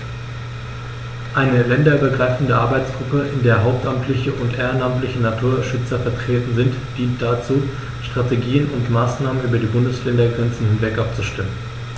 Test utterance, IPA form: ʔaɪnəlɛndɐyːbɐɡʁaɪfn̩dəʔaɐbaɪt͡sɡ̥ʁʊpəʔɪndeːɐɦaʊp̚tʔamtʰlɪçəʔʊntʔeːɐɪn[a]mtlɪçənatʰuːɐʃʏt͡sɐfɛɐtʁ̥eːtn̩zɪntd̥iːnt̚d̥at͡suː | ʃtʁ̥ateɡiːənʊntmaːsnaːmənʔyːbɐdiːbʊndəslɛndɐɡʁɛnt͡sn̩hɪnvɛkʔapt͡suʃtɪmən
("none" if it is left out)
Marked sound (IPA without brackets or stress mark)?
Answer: a